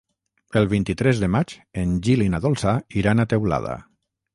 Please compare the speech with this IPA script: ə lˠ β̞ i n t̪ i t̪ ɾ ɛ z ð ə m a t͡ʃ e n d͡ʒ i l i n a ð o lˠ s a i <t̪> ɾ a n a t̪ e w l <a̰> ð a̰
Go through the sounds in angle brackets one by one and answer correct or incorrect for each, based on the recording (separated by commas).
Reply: incorrect, correct